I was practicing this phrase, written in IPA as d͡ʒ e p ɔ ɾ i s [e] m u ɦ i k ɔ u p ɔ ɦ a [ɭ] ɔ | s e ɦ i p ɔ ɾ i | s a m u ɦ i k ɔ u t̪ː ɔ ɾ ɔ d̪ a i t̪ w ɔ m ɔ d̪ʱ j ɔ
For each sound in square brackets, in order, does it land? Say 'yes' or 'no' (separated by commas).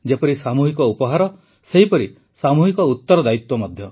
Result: no, no